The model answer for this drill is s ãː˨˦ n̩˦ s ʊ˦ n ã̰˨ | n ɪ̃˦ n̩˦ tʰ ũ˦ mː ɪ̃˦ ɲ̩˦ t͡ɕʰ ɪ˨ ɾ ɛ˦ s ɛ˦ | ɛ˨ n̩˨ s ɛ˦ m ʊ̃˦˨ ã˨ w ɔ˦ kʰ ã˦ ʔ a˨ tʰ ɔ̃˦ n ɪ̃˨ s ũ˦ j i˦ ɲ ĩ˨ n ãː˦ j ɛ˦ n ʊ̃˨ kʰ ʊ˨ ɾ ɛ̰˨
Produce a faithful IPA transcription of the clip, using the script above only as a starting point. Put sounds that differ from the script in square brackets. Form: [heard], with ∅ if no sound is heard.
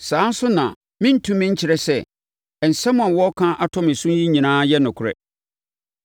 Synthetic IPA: s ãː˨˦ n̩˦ s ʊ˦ n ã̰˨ | [m] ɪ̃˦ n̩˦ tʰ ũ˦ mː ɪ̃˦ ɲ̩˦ t͡ɕʰ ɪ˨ ɾ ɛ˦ s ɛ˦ | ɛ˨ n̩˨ s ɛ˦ m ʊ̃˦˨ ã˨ w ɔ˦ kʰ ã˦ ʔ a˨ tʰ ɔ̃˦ [m] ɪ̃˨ s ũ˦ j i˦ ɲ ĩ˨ n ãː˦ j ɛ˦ n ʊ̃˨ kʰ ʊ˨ ɾ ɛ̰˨